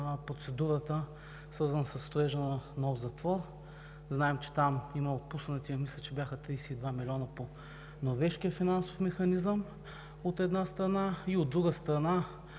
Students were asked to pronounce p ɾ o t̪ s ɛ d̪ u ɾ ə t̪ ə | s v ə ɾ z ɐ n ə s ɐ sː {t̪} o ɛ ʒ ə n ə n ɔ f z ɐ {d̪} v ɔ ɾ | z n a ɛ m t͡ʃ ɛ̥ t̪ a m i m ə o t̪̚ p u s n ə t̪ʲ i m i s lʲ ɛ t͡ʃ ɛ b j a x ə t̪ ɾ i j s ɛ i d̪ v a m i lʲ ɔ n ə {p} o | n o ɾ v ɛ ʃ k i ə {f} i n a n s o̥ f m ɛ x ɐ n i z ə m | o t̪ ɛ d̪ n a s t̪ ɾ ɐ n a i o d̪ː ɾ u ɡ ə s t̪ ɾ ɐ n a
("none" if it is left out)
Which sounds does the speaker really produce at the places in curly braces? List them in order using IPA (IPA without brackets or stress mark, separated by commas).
t̪, t̪, p, f